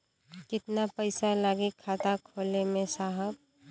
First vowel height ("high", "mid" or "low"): high